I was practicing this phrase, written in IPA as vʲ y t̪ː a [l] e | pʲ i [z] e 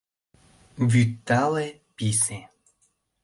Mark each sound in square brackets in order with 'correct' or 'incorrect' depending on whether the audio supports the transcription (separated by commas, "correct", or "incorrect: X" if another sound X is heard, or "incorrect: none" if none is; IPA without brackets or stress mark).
correct, incorrect: s